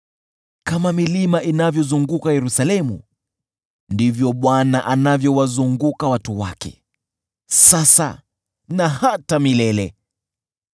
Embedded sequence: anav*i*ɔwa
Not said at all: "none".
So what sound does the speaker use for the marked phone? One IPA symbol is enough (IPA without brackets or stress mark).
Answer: j